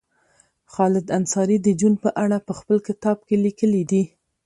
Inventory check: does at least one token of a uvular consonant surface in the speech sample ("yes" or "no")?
no